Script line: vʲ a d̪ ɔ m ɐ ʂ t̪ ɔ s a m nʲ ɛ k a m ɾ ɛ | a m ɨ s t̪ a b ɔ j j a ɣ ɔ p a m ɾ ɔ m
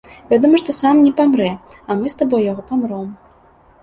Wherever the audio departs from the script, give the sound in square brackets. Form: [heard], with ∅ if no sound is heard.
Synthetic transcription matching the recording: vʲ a d̪ ɔ m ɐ ʂ t̪ ɔ s a m nʲ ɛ [p] a m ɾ ɛ | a m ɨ s t̪ a b ɔ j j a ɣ ɔ p a m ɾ ɔ m